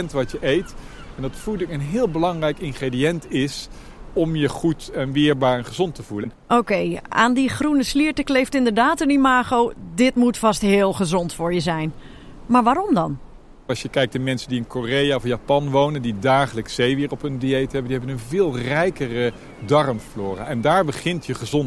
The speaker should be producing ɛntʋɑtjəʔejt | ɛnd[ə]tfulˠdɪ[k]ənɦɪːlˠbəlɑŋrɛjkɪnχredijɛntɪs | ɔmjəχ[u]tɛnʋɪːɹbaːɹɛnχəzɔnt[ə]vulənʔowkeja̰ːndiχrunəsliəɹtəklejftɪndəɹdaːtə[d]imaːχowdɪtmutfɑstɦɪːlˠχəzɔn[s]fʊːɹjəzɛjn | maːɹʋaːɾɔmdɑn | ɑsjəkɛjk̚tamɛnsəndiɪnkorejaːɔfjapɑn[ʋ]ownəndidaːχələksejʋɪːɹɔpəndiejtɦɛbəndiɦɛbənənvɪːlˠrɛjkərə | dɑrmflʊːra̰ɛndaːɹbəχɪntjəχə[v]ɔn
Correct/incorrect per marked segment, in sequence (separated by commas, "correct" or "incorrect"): incorrect, correct, correct, correct, incorrect, incorrect, correct, incorrect